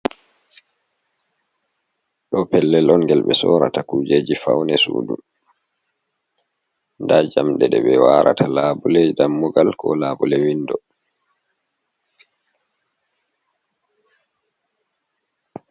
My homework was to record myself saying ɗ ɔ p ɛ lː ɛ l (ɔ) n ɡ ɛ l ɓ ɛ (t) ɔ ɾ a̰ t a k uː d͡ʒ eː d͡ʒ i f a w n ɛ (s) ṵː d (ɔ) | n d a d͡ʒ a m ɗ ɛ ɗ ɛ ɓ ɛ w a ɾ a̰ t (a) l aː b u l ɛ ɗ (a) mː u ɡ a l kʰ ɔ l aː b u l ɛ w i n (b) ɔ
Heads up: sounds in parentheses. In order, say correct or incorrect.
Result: correct, incorrect: s, correct, incorrect: u, correct, correct, incorrect: d

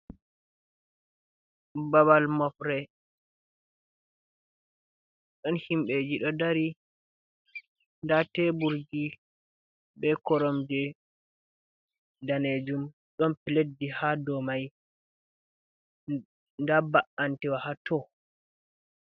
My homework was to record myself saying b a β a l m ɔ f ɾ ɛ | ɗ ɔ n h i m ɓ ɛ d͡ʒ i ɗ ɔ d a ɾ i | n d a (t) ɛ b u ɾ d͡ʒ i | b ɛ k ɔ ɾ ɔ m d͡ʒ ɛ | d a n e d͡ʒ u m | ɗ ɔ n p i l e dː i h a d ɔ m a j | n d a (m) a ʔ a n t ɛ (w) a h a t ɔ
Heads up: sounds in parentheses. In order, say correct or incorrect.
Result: correct, incorrect: b, correct

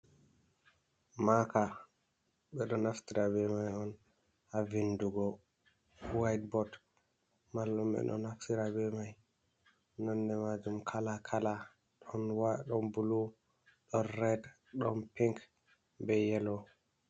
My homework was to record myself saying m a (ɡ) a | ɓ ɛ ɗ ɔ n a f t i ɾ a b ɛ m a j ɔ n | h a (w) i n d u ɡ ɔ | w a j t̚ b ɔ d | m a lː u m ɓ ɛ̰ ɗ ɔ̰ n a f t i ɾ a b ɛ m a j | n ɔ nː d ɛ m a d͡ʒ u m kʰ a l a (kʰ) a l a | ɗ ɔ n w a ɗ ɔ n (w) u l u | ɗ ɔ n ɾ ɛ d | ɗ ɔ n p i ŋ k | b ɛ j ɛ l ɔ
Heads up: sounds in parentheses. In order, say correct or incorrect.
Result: incorrect: k, incorrect: v, correct, incorrect: b

